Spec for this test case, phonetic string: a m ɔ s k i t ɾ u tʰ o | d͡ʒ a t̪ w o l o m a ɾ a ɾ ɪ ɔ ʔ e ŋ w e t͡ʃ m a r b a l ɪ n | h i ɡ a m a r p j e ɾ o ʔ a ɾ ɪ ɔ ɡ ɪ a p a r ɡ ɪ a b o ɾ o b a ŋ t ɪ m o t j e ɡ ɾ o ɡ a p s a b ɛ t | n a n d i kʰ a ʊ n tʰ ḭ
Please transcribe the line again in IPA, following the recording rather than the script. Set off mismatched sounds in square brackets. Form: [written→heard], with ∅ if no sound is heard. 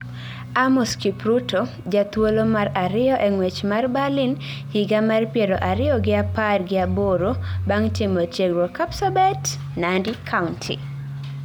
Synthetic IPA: a m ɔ s k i [t→p] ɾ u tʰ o | d͡ʒ a t̪ w o l o m a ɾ a ɾ ɪ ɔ ʔ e ŋ w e t͡ʃ m a r b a l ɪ n | h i ɡ a m a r p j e ɾ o ʔ a ɾ ɪ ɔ ɡ ɪ a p a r ɡ ɪ a b o ɾ o b a ŋ t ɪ m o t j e ɡ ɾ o [ɡ→k] a p s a b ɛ t | n a n d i kʰ a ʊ n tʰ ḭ